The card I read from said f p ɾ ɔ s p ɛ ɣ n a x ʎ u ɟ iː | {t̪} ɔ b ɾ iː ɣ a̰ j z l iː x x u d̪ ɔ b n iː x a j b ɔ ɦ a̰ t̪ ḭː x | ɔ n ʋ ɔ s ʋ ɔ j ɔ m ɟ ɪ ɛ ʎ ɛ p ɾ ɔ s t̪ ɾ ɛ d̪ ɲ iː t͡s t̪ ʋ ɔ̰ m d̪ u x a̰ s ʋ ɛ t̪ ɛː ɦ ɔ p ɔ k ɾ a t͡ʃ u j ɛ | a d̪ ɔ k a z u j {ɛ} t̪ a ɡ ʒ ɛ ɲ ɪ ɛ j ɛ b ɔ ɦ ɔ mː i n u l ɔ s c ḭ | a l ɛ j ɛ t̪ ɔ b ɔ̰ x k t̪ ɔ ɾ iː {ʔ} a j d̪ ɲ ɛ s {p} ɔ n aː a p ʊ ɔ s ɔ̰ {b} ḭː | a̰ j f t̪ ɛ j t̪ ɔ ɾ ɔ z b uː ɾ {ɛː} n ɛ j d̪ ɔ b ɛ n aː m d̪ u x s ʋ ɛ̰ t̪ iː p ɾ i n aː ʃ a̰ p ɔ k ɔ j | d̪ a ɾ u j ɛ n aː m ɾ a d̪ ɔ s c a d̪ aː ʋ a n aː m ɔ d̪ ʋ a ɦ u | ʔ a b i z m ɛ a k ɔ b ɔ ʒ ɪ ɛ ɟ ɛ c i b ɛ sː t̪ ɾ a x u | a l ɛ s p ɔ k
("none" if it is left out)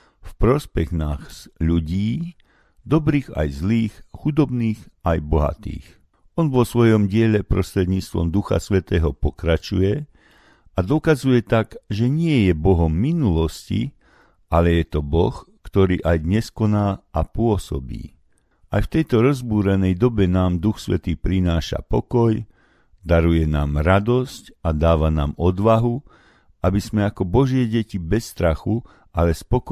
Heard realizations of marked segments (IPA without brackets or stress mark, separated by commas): d̪, ɛ, ʔ, k, b, ɛ